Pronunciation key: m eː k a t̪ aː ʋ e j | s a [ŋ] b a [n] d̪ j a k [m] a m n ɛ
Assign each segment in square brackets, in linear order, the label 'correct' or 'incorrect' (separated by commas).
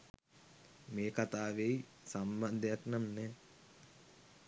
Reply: incorrect, correct, incorrect